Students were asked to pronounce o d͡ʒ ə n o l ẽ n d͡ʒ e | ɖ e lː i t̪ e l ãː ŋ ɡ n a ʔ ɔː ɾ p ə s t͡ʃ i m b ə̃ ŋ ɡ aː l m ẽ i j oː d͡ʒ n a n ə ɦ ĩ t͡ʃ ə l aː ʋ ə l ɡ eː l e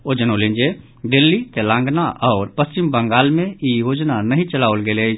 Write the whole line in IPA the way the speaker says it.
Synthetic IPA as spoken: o d͡ʒ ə n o l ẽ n d͡ʒ e | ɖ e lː i t̪ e l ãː ŋ ɡ n a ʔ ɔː ɾ p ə s t͡ʃ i m b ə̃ ŋ ɡ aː l m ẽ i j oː d͡ʒ n a n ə ɦ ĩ t͡ʃ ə l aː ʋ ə l ɡ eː l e